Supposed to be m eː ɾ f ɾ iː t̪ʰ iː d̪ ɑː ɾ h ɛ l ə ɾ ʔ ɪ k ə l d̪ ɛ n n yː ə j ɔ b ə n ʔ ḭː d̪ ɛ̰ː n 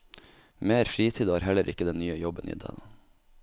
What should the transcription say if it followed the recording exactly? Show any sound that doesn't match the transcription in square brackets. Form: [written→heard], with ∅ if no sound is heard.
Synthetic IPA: m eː ɾ f ɾ iː t̪ʰ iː d̪ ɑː ɾ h ɛ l ə ɾ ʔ ɪ k ə [l→∅] d̪ ɛ n n yː ə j ɔ b ə n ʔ ḭː d̪ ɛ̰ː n